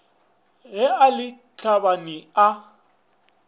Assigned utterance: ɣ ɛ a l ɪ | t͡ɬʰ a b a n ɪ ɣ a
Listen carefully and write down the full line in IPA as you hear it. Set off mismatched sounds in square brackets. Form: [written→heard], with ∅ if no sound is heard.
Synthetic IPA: ɣ ɛ a l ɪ | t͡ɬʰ a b a n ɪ [ɣ→∅] a